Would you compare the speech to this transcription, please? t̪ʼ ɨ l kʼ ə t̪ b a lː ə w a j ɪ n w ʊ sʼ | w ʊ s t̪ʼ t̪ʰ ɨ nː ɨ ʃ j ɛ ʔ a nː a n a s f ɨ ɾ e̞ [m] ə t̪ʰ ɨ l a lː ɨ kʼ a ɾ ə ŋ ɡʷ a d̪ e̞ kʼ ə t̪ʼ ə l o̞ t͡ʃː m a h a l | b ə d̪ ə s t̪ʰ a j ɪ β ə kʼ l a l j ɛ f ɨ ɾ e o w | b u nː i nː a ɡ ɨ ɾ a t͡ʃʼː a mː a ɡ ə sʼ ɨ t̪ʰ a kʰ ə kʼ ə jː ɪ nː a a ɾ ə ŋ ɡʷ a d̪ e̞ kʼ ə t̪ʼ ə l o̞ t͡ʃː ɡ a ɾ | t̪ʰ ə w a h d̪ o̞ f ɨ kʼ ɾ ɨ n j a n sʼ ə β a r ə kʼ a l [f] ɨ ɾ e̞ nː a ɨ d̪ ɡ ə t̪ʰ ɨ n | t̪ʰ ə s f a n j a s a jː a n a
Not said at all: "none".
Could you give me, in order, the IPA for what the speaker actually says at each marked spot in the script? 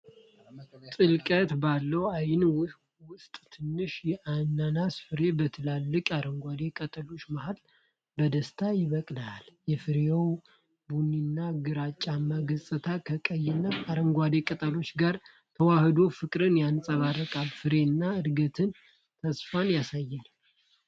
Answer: b, f

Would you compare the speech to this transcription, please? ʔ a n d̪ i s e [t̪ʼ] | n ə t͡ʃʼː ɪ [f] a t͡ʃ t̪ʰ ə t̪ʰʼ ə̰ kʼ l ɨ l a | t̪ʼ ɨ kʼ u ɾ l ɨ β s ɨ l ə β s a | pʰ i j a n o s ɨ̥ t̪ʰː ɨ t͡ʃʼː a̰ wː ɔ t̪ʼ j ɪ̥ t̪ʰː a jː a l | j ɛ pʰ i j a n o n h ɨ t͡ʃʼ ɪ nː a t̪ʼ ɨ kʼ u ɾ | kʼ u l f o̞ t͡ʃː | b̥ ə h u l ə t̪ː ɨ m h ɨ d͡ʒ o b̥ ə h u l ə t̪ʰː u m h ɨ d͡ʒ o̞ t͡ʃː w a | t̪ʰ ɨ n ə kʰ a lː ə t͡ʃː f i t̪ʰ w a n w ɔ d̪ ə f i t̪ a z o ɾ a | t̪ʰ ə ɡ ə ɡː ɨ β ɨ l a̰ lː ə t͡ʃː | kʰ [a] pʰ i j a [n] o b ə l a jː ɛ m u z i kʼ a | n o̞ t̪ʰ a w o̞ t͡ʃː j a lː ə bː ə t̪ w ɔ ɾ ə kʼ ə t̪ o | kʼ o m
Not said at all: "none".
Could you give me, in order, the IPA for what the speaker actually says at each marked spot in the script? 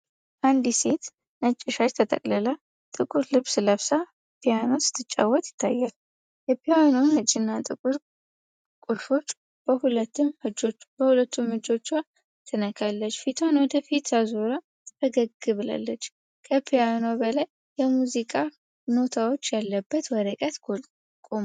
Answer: t̪, ʃ, ə, n

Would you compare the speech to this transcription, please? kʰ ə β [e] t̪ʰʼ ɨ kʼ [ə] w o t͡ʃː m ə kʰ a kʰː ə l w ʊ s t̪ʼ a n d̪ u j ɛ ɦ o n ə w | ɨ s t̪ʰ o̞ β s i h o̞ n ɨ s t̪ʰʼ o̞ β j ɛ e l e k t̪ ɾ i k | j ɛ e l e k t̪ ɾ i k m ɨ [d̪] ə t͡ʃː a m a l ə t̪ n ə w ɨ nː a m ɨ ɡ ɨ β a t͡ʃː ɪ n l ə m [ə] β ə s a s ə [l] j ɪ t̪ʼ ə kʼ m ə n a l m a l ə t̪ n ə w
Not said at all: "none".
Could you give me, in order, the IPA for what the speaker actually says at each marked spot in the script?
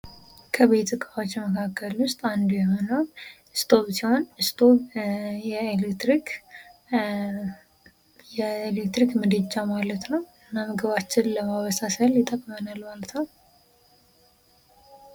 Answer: e, a, d̪, a, l

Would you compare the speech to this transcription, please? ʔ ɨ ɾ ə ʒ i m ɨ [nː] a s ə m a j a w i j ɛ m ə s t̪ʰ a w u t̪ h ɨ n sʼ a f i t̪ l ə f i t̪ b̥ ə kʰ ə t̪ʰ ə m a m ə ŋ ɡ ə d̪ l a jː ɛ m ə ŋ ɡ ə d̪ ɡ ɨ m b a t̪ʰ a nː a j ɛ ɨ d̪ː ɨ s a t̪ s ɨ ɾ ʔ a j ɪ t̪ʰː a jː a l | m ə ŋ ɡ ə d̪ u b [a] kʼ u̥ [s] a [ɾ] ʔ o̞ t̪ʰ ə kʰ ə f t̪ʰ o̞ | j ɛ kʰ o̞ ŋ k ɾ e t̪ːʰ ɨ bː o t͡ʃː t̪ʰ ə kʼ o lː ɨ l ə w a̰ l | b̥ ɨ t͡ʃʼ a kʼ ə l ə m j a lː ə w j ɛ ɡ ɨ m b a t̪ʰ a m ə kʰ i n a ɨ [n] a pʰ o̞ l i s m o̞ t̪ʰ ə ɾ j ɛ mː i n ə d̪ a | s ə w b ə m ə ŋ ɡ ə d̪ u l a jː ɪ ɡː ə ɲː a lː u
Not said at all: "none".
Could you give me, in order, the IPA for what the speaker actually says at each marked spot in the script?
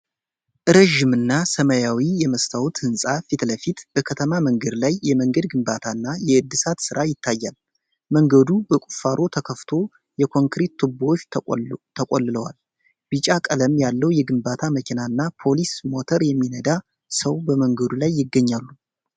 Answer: nː, ə, f, ɾ, nː

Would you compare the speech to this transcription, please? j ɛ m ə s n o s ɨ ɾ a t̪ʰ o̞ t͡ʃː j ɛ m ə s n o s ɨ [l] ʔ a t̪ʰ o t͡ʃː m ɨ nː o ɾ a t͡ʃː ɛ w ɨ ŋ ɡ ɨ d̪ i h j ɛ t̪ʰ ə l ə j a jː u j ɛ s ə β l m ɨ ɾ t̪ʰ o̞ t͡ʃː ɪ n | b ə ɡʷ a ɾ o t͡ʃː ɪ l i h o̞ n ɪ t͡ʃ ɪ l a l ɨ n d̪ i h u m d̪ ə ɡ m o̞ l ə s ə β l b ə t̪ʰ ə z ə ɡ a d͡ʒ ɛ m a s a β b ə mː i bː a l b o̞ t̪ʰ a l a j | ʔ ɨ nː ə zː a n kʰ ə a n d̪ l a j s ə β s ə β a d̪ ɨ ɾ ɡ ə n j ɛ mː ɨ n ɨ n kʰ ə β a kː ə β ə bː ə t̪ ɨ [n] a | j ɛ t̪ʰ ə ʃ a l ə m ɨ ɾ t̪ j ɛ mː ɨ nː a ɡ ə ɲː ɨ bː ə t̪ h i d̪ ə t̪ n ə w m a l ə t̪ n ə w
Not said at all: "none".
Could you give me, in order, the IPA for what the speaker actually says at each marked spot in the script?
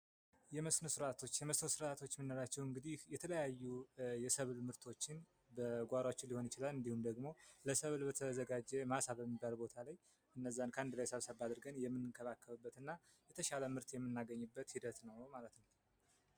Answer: ɾ, nː

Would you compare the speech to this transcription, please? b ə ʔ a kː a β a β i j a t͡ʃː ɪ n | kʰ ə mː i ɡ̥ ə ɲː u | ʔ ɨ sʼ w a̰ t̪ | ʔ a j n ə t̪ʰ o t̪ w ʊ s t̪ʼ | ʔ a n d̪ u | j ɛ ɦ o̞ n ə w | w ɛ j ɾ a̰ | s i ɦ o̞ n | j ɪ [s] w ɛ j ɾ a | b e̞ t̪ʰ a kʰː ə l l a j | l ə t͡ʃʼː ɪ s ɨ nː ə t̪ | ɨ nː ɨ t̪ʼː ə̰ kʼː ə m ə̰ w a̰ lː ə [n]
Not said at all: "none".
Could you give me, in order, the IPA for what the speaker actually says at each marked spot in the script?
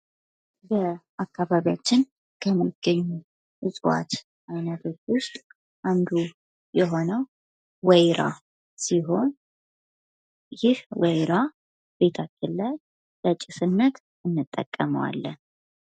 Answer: h, n

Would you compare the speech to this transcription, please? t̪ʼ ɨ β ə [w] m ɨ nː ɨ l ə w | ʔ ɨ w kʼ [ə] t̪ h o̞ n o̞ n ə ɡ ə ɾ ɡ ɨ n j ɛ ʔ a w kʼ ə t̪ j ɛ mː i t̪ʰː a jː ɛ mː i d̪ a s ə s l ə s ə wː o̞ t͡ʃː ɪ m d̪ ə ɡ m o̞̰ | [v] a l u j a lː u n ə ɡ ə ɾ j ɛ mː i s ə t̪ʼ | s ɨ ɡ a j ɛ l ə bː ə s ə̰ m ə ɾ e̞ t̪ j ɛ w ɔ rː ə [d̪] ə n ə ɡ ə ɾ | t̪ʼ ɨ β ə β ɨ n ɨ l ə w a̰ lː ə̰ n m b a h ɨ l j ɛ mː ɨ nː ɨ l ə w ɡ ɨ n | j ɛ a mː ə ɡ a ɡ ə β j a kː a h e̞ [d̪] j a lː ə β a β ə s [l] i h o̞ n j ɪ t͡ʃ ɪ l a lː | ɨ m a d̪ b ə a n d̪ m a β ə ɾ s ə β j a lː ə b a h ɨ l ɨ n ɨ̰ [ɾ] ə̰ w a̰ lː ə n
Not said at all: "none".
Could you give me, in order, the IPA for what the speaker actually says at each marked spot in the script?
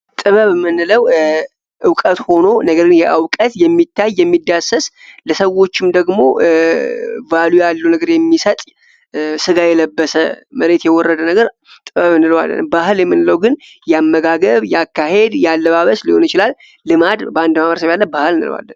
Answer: β, ə, v, d̪, d̪, l, l

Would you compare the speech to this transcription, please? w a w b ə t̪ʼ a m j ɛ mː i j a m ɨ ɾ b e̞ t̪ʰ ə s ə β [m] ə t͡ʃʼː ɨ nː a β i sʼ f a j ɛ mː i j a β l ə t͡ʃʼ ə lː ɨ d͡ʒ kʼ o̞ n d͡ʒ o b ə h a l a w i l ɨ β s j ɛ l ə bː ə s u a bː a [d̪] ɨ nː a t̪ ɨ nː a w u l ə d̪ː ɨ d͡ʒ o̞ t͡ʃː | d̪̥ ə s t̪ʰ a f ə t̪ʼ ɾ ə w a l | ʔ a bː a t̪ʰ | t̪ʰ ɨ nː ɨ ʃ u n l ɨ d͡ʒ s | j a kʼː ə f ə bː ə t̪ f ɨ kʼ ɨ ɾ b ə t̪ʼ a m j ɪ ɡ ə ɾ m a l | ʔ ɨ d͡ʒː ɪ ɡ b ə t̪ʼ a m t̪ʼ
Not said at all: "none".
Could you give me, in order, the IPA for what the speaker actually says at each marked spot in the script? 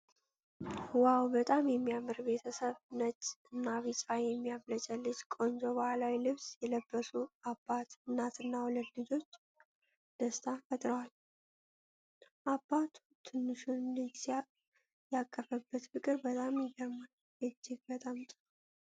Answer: n, t̪

